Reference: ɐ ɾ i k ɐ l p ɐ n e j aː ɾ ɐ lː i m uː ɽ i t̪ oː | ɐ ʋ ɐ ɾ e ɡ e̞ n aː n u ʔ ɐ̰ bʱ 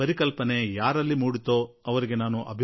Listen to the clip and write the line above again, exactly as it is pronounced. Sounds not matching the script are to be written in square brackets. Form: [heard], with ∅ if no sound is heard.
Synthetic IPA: ɐ ɾ i k ɐ l p ɐ n e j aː ɾ ɐ lː i m uː ɽ i t̪ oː | ɐ ʋ ɐ ɾ [i] ɡ e̞ n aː n u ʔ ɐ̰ bʱ